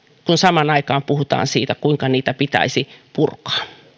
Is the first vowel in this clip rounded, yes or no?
yes